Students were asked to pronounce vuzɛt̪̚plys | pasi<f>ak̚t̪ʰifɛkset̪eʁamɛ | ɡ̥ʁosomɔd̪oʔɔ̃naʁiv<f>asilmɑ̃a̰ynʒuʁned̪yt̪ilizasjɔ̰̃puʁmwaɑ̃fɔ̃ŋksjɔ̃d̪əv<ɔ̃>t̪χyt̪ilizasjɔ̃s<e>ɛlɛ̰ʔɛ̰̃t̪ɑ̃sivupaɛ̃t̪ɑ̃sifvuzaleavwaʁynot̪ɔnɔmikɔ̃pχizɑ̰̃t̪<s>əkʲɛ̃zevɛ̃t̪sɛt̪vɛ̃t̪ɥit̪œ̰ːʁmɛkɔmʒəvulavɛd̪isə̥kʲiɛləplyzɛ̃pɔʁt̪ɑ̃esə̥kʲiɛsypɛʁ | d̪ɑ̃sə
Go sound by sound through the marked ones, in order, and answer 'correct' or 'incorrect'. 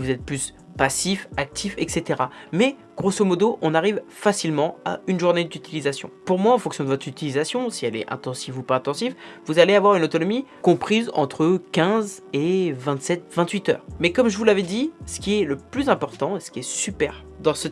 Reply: correct, correct, incorrect: ɔ, incorrect: i, incorrect: χ

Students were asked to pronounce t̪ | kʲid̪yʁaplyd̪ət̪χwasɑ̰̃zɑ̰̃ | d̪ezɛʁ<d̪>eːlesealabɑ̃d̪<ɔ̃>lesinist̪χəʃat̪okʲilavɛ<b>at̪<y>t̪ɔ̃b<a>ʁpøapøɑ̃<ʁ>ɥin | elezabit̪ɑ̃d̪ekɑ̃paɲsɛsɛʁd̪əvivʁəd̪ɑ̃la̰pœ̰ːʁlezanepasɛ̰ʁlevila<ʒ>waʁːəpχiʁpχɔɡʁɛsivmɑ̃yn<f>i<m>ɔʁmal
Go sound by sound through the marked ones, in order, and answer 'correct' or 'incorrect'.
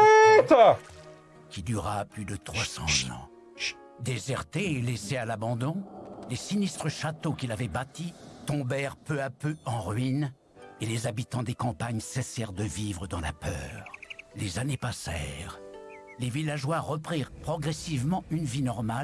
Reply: incorrect: t̪, correct, correct, incorrect: i, incorrect: ɛ, correct, correct, incorrect: v, incorrect: n

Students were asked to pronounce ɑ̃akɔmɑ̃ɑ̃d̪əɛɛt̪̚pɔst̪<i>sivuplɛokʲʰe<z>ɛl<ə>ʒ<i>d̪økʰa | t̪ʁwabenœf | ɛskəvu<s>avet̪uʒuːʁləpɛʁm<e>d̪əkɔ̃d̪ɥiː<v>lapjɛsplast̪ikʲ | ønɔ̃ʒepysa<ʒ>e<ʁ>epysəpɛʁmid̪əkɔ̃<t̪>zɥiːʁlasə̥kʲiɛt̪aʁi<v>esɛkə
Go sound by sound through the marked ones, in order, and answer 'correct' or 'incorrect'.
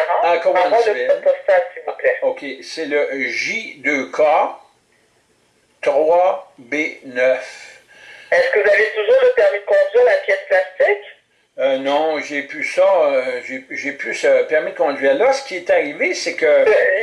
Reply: incorrect: a, incorrect: s, correct, correct, incorrect: z, incorrect: i, incorrect: ʁ, correct, incorrect: ʒ, incorrect: d̪, correct

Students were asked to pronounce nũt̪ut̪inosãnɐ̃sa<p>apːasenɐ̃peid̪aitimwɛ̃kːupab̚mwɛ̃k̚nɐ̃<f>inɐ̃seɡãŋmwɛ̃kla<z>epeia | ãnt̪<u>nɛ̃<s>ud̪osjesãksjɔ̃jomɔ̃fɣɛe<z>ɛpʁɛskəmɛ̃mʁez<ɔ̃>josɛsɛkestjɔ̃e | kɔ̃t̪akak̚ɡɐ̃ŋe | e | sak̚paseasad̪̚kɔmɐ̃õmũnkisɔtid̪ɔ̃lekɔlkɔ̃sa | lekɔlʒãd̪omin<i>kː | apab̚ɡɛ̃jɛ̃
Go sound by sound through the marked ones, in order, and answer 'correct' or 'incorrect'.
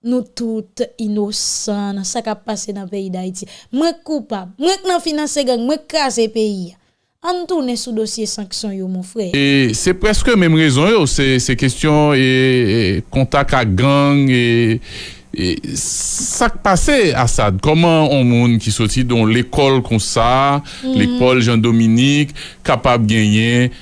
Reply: incorrect: k, correct, correct, correct, correct, incorrect: s, correct, correct

